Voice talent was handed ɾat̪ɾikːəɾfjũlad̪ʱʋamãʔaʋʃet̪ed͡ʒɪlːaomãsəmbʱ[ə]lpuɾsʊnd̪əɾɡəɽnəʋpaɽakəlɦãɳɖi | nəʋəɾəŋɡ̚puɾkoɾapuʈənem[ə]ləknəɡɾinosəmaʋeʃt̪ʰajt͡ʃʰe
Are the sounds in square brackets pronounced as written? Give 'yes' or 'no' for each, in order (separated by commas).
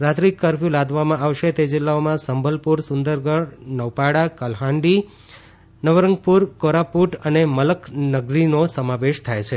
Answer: yes, yes